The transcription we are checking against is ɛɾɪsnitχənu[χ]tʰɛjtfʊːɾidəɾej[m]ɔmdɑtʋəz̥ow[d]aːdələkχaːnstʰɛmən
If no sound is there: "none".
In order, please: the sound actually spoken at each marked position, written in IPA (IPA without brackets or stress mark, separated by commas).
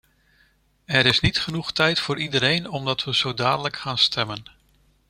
χ, n, d